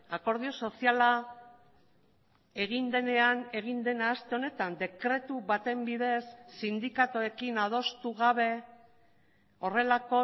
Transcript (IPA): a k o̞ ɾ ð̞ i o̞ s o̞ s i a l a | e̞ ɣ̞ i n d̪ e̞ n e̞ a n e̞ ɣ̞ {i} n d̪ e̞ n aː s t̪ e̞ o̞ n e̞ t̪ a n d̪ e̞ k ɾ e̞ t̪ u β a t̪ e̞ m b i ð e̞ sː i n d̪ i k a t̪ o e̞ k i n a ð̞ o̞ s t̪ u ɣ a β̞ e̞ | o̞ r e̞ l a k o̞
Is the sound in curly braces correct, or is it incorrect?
correct